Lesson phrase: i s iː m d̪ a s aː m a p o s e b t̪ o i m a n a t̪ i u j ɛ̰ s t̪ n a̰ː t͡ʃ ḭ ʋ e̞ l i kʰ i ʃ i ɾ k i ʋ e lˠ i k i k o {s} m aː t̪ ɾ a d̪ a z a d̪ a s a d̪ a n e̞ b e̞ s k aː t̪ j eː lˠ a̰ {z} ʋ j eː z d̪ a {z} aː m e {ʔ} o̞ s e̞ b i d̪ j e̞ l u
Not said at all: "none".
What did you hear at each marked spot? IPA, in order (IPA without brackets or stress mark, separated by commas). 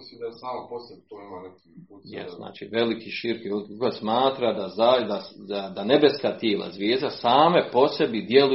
s, z, s, p